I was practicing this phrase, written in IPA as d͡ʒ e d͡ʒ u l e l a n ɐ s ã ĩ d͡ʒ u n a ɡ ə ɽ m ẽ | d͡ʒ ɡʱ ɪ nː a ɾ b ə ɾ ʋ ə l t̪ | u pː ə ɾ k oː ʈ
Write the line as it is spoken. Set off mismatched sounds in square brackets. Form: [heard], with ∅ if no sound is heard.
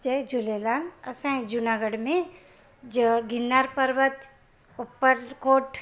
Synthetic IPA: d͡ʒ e d͡ʒ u l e l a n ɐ s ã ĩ d͡ʒ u n a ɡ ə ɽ m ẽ | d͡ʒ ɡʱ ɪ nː a ɾ [p] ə ɾ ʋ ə [∅] t̪ | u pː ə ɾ k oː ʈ